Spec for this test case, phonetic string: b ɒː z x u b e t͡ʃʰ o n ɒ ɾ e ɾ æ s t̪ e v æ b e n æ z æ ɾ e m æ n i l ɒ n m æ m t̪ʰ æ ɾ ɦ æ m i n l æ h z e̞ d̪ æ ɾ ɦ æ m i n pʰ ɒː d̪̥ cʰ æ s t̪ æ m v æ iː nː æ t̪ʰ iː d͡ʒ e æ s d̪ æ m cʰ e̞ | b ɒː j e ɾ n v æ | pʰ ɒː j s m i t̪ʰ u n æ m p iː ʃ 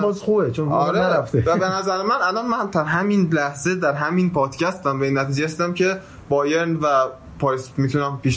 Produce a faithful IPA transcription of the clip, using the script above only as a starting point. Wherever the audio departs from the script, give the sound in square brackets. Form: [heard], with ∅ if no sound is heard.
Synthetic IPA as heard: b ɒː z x u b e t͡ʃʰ o n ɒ ɾ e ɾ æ [f] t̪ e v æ b e n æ z æ ɾ e m æ n [æ] l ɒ n m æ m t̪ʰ æ ɾ ɦ æ m i n l æ h z e̞ d̪ æ ɾ ɦ æ m i n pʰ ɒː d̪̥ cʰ æ s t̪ æ m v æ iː nː æ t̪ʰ iː d͡ʒ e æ s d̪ æ m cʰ e̞ | b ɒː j e ɾ n v æ | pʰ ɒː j s m i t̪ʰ u n æ m p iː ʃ